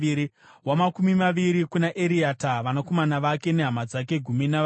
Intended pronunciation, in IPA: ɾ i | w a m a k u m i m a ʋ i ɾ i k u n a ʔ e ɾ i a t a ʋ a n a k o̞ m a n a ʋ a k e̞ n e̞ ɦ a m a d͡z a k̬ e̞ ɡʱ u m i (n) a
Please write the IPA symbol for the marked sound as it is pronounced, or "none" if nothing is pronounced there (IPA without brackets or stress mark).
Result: n